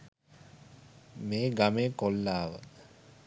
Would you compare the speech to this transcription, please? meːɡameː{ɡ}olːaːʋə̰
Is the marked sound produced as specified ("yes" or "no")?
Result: no